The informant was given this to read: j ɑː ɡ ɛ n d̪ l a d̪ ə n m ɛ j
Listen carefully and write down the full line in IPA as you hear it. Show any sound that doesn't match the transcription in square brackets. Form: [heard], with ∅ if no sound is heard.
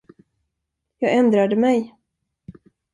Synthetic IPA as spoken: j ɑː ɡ ɛ n d̪ [ɾ] a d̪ ə [∅] m ɛ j